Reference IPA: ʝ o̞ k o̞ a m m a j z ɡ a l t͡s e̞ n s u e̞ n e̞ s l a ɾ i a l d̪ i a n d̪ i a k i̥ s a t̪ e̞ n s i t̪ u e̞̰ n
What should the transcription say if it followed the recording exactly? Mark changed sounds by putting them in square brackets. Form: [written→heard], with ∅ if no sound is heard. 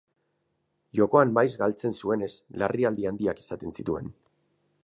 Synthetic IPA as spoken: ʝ o̞ k o̞ a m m a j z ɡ a l t͡s e̞ n s u e̞ n e̞ s l a [ɾ→r] i a l d̪ i a n d̪ i a k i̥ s a t̪ e̞ n s i t̪ u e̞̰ n

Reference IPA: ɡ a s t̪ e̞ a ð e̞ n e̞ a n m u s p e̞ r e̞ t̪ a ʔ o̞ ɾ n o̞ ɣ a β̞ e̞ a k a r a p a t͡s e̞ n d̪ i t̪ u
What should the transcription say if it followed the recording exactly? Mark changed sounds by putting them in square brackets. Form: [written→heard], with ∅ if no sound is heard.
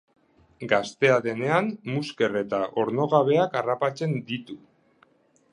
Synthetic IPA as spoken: ɡ a s t̪ e̞ a ð e̞ n e̞ a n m u s [p→k] e̞ r e̞ t̪ a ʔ o̞ ɾ n o̞ ɣ a β̞ e̞ a k a r a p a t͡s e̞ n d̪ i t̪ u

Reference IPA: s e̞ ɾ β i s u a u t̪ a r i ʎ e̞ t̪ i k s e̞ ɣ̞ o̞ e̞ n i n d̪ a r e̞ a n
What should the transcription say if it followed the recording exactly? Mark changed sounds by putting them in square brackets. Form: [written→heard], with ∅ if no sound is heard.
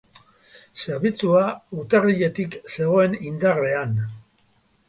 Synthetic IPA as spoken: s e̞ ɾ β i [s→t͡s] u a u t̪ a r i ʎ e̞ t̪ i k s e̞ ɣ̞ o̞ e̞ n i n d̪ a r e̞ a n

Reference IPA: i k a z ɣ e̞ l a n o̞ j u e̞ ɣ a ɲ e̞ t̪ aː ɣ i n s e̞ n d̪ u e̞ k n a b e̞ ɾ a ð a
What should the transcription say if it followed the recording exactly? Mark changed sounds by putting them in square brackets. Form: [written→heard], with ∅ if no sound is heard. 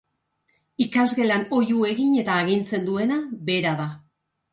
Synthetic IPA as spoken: i k a z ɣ e̞ l a n o̞ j u e̞ ɣ [a→i] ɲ e̞ t̪ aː ɣ i n [s→t͡s] e̞ n d̪ u e̞ [k→∅] n a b e̞ ɾ a ð a

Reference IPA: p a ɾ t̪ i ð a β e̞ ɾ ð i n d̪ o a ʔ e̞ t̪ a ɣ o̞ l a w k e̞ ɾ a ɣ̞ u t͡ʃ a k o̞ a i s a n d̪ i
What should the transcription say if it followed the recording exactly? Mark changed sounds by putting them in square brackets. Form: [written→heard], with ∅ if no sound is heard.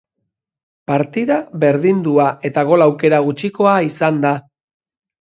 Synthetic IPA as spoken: p a ɾ t̪ i ð a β e̞ ɾ ð i n d̪ [o→u] a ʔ e̞ t̪ a ɣ o̞ l a w k e̞ ɾ a ɣ̞ u t͡ʃ [a→i] k o̞ a i s a n d̪ [i→a]

